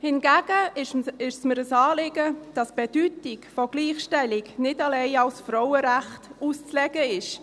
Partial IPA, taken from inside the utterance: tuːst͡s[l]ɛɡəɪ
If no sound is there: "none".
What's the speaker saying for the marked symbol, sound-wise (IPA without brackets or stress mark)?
l